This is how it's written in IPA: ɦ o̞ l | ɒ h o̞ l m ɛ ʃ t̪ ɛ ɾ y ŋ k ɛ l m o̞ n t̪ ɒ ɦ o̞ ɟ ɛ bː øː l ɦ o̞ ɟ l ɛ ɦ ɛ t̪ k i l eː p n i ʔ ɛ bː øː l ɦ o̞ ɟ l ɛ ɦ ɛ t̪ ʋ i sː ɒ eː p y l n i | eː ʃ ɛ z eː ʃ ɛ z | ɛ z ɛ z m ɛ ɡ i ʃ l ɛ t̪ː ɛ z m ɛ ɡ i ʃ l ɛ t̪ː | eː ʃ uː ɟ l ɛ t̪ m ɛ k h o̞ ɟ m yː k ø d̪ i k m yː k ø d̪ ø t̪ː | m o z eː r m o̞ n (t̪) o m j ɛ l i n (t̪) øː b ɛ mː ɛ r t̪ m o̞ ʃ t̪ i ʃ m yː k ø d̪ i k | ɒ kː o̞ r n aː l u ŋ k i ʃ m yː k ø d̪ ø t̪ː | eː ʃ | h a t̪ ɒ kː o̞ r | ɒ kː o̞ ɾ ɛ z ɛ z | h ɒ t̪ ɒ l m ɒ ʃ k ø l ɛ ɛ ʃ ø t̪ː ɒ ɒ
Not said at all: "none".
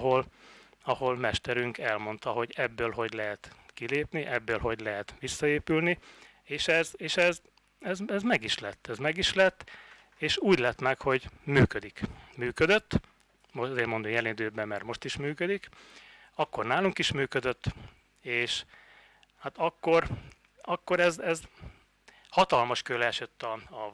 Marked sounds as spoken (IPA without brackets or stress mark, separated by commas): d̪, d̪